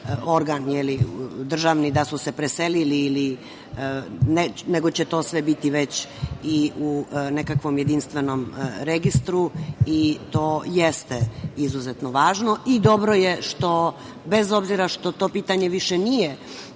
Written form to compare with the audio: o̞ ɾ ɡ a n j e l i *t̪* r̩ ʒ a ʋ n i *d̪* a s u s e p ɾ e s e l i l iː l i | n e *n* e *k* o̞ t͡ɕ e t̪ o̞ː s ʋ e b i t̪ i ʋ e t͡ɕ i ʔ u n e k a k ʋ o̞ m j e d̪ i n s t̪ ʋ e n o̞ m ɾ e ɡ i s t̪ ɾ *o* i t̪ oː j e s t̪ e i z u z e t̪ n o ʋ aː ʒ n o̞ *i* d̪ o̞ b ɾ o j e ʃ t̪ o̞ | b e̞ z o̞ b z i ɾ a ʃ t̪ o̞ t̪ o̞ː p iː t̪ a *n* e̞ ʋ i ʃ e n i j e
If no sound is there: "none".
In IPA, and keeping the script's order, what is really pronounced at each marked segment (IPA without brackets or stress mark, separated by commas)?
d̪, d̪, n, ɡ, u, i, ɲ